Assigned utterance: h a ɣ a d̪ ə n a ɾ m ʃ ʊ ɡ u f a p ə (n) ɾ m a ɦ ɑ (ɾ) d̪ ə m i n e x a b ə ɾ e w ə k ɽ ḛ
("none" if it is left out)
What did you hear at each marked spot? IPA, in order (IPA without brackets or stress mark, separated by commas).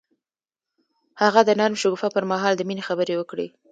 none, l